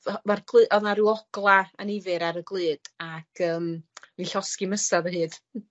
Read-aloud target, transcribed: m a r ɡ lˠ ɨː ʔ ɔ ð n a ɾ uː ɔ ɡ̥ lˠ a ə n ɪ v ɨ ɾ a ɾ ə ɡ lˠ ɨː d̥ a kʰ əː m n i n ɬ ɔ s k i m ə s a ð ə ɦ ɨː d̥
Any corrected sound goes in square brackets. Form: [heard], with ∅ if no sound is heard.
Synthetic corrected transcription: m a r ɡ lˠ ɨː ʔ ɔ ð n a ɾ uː ɔ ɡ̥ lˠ a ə n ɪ v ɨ ɾ a ɾ ə ɡ lˠ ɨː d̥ a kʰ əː m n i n ɬ ɔ s k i m ə s a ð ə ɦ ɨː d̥